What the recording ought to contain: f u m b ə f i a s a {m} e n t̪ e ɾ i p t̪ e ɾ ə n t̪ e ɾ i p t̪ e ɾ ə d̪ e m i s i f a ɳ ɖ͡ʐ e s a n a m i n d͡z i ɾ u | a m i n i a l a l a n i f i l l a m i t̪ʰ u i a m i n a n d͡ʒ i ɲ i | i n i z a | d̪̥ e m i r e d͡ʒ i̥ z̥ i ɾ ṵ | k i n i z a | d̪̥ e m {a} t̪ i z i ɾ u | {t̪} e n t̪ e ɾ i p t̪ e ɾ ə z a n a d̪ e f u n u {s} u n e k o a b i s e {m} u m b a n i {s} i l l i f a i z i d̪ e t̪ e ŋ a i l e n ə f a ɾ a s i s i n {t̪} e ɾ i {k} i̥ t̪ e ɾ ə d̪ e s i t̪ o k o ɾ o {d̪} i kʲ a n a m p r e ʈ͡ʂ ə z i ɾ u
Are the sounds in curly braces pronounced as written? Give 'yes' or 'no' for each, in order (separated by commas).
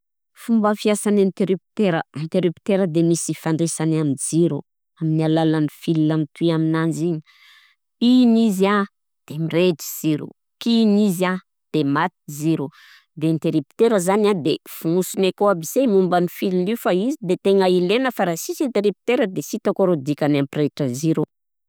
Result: no, yes, no, yes, yes, no, yes, no, yes